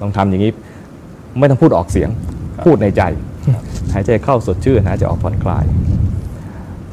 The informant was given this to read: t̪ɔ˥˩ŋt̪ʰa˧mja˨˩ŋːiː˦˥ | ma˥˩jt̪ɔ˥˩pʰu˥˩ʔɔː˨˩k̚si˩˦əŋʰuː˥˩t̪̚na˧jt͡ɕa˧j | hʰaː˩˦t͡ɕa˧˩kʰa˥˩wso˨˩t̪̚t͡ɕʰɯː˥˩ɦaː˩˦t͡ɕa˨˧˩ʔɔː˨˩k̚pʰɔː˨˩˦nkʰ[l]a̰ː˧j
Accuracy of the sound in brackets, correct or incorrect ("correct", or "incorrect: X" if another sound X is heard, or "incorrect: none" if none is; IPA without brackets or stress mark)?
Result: correct